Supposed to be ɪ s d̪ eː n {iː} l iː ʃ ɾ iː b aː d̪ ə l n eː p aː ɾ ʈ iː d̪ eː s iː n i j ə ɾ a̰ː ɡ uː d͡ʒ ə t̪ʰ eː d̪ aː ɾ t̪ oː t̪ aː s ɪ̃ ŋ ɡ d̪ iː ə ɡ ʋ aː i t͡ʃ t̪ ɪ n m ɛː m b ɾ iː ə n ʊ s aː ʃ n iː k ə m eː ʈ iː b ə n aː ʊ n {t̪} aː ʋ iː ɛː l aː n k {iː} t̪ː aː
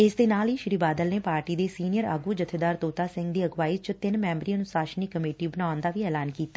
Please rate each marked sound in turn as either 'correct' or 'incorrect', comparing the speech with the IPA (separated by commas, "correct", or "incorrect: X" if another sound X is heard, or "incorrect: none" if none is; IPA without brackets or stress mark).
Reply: incorrect: aː, incorrect: d̪, correct